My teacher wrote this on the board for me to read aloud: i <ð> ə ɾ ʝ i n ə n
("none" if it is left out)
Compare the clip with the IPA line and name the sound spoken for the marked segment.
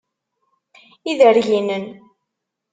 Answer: ð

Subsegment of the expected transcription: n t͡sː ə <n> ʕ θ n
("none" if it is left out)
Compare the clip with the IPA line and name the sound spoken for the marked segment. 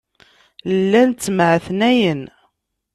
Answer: m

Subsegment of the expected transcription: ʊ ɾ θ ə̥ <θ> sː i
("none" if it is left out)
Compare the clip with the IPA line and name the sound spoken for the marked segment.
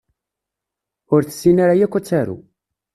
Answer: none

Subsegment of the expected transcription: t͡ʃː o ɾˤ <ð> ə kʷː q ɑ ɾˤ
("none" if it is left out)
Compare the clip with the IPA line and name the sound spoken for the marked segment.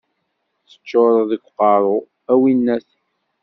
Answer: ð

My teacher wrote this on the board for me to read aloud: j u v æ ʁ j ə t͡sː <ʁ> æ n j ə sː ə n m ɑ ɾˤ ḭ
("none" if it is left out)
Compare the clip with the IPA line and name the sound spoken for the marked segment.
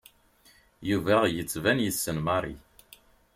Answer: v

